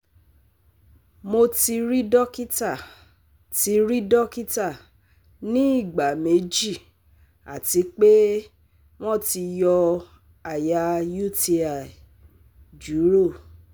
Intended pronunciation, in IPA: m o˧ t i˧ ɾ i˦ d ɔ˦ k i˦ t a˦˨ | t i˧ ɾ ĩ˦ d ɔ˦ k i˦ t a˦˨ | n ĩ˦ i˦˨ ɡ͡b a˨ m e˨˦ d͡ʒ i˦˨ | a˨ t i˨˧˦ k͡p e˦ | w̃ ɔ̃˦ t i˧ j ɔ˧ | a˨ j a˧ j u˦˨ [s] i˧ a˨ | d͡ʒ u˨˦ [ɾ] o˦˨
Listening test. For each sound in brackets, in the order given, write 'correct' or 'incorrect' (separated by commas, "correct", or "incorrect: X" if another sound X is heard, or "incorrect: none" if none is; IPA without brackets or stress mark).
incorrect: t, correct